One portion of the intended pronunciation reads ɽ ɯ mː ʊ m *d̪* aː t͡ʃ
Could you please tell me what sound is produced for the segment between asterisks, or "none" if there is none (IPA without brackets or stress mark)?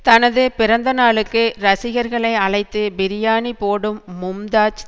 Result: d̪